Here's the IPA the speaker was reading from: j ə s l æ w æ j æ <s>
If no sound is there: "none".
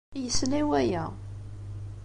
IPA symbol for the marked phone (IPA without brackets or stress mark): none